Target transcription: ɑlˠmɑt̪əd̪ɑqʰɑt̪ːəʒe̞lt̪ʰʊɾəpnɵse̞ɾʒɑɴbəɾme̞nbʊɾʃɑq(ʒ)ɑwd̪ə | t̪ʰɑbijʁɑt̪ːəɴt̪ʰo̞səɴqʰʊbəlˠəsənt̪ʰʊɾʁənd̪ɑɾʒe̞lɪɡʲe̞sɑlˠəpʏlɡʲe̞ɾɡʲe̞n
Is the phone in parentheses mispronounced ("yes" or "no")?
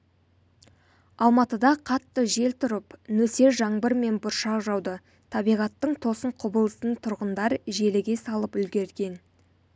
no